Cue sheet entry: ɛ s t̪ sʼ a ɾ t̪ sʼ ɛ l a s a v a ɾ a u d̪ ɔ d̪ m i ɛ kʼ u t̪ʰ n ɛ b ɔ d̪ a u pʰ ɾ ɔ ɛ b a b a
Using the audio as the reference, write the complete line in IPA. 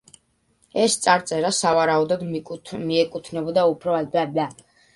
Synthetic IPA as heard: ɛ s t̪ sʼ a ɾ t̪ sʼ ɛ ɾ a s a v a ɾ a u d̪ ɔ d̪ m i ɛ kʼ u t̪ʰ n ɛ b ɔ d̪ a u pʰ ɾ ɔ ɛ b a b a